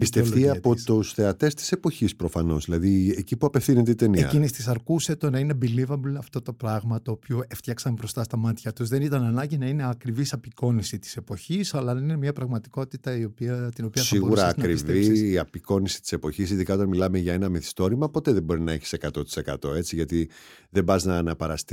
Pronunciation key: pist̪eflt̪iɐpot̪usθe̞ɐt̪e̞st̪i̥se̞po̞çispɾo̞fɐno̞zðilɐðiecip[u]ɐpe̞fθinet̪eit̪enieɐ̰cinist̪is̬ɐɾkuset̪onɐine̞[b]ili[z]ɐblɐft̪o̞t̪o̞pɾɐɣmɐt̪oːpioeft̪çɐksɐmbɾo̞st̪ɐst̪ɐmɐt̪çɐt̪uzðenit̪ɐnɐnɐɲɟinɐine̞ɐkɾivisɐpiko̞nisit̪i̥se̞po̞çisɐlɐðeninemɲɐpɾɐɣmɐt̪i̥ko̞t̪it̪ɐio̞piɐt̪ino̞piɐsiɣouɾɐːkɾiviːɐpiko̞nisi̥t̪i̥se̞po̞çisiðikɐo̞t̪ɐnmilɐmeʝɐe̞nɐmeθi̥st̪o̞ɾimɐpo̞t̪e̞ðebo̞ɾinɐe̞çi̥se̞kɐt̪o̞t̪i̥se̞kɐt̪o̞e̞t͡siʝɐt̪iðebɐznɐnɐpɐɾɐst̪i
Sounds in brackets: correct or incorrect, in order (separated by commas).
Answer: correct, correct, incorrect